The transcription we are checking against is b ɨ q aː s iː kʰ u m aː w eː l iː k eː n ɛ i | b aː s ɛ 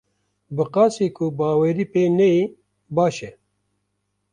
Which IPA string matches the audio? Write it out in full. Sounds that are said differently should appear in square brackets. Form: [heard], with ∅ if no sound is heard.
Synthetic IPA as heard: b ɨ q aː s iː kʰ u [b] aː w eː [ɾ] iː [p] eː n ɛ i | b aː [ʃ] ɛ